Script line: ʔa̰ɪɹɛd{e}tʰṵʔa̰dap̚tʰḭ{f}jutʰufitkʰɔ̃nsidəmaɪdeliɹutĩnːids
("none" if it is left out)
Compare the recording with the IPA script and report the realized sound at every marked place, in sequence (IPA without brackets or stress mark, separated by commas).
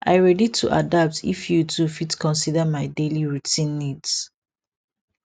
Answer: i, f